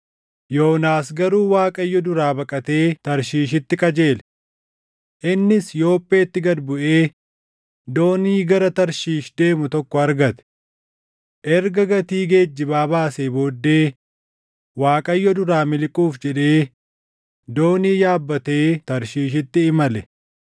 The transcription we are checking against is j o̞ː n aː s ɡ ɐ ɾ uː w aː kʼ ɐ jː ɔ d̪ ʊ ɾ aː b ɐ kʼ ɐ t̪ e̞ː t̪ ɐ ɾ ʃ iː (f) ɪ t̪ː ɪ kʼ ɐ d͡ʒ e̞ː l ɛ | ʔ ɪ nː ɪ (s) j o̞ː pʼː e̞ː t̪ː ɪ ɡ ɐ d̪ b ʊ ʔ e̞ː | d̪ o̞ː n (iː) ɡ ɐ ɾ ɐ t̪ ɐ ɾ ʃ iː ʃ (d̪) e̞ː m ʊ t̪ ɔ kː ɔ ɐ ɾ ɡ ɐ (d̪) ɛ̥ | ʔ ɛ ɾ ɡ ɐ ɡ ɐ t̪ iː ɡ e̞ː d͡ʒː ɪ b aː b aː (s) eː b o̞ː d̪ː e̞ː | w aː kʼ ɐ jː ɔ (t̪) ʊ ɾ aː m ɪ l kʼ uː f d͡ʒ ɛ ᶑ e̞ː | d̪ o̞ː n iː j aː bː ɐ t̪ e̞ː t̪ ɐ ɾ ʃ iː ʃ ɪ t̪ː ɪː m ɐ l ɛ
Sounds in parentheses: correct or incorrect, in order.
incorrect, correct, correct, correct, incorrect, correct, incorrect

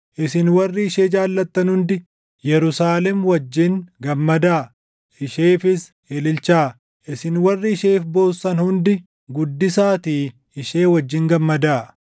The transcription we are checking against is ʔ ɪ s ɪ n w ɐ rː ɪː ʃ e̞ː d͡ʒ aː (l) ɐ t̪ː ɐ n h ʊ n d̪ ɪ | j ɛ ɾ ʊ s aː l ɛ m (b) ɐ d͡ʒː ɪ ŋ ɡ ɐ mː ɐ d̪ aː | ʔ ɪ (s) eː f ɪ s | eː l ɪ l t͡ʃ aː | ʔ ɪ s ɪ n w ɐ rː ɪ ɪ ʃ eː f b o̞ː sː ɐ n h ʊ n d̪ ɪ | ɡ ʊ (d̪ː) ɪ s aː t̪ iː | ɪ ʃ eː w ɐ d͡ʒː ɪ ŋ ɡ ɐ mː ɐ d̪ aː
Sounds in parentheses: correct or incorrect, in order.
incorrect, incorrect, incorrect, correct

